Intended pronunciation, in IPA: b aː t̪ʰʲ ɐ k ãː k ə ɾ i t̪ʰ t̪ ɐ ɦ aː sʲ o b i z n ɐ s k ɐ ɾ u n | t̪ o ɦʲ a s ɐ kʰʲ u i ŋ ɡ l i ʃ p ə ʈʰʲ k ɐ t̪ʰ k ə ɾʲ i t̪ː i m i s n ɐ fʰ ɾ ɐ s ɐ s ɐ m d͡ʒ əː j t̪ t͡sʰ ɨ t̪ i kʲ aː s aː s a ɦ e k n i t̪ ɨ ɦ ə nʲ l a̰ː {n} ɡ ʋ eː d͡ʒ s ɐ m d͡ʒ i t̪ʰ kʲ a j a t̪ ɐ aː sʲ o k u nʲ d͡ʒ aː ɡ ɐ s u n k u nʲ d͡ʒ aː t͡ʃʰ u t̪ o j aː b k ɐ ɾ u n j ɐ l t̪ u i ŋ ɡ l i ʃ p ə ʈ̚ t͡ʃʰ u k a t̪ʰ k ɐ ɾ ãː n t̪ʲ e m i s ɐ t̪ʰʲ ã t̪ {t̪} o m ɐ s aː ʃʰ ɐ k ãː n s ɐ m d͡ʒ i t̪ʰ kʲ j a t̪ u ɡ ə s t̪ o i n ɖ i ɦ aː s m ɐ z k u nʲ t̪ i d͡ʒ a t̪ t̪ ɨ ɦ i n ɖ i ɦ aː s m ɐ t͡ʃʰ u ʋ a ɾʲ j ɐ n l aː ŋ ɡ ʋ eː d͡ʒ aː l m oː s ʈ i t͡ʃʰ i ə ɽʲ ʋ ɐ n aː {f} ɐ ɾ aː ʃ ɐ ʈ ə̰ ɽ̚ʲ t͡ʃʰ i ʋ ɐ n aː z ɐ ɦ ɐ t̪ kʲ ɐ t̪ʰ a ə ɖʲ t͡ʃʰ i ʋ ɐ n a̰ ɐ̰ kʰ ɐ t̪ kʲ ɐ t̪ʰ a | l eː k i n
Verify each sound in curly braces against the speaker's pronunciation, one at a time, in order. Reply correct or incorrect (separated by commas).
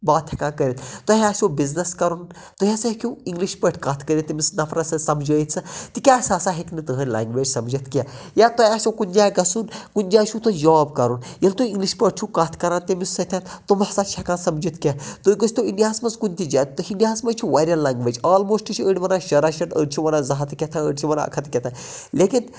incorrect, correct, incorrect